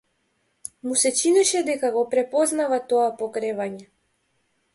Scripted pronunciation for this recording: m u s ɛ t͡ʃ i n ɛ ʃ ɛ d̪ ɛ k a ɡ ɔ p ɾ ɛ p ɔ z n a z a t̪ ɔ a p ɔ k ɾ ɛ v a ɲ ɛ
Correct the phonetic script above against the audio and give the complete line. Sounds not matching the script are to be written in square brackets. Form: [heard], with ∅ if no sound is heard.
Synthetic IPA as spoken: m u s ɛ t͡ʃ i n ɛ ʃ ɛ d̪ ɛ k a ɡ ɔ p ɾ ɛ p ɔ z n a [v] a t̪ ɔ a p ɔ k ɾ ɛ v a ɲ ɛ